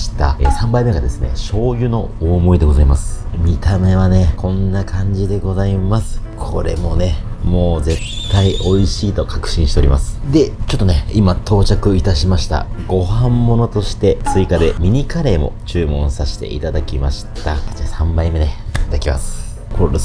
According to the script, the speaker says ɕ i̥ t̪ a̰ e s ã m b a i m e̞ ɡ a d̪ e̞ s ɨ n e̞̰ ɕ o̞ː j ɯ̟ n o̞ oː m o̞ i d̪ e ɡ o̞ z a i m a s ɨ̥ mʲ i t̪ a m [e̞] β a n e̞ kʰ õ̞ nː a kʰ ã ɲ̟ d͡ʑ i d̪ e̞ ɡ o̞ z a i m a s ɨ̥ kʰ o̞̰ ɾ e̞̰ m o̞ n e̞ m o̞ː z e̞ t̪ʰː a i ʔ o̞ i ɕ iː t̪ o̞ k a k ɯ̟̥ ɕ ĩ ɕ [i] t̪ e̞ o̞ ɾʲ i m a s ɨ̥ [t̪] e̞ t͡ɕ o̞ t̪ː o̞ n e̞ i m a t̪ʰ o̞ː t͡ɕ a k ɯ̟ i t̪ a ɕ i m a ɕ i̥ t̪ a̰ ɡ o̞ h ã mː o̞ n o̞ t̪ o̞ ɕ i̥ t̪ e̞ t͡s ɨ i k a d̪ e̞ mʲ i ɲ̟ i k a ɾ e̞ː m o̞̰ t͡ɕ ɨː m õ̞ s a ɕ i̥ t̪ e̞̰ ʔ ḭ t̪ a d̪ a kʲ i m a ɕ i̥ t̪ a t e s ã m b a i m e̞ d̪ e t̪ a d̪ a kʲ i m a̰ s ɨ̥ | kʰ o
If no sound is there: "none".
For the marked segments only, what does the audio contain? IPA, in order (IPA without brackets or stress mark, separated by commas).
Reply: e̞, i, d̪